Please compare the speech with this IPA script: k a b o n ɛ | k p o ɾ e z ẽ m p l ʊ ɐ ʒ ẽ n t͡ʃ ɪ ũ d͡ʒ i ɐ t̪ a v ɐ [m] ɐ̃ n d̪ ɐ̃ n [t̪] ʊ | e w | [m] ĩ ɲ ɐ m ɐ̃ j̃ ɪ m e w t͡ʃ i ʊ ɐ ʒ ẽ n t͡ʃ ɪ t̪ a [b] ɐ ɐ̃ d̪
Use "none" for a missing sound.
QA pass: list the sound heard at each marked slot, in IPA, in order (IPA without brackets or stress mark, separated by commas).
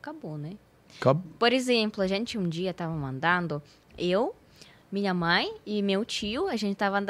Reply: m, d̪, m, v